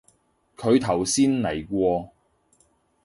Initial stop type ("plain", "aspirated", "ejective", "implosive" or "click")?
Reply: aspirated